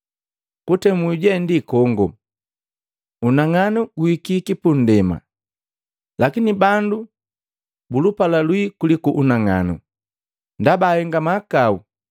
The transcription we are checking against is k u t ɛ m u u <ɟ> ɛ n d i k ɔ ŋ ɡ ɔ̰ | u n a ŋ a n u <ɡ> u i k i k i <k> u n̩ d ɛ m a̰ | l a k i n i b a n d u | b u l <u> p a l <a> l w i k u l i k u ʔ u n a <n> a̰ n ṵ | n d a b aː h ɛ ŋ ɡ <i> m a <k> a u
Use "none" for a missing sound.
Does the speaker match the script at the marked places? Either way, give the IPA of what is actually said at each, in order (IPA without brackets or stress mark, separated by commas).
ɟ, ɡ, p, u, a, ŋ, a, k